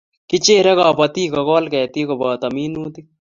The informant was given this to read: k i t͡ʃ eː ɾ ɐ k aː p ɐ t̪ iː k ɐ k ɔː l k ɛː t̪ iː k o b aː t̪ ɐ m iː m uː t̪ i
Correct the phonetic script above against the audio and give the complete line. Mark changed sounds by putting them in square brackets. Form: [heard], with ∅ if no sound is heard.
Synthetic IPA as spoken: k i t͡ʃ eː ɾ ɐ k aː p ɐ t̪ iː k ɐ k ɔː l k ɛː t̪ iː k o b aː t̪ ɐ m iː [n] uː t̪ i